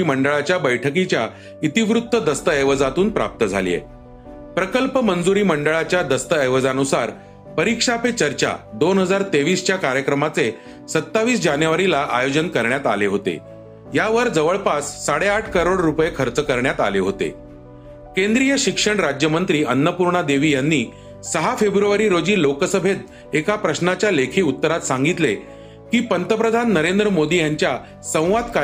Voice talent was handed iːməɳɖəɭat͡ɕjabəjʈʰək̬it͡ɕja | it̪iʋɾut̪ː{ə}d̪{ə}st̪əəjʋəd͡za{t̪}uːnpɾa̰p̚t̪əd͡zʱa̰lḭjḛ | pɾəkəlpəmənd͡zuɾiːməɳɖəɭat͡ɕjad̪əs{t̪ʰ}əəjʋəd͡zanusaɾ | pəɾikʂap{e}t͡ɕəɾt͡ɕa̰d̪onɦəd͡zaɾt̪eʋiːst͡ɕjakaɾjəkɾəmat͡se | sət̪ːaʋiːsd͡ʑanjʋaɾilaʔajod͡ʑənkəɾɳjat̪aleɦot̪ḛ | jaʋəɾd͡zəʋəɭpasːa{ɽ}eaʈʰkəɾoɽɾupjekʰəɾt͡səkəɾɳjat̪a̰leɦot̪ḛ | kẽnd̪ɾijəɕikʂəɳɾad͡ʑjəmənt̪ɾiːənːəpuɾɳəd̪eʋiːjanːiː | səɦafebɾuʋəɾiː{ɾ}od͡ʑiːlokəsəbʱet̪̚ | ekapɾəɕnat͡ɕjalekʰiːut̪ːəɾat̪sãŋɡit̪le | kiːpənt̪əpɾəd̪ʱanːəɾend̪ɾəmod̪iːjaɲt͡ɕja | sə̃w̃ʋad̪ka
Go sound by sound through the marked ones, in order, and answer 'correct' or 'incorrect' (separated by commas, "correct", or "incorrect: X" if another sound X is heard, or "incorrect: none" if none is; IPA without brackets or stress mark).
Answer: correct, correct, correct, incorrect: t̪, correct, correct, correct